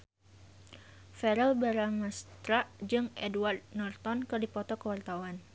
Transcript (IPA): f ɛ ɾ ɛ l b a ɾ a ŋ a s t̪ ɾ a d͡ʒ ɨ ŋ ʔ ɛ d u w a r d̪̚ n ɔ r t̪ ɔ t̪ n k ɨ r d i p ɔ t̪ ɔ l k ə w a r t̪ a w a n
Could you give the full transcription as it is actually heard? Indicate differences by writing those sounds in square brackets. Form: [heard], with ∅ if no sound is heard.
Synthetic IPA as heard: f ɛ ɾ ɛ l b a ɾ a ŋ a s t̪ ɾ a d͡ʒ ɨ ŋ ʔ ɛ d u w a r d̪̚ n ɔ r t̪ ɔ [∅] n k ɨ r d i p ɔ t̪ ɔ [∅] k ə w a r t̪ a w a n